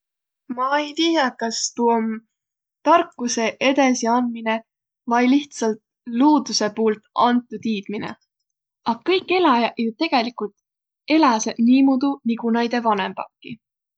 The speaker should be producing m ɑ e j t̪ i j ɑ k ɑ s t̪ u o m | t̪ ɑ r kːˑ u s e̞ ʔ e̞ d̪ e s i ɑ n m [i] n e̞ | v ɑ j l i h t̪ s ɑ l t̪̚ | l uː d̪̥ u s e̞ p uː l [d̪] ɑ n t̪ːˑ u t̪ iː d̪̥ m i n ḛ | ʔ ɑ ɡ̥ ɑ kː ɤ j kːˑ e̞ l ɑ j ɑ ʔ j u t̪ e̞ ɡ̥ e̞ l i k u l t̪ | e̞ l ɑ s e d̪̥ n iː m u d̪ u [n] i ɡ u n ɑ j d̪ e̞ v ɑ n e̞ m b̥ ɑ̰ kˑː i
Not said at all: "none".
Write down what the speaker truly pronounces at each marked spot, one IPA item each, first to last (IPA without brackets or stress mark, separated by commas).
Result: i, t̪, n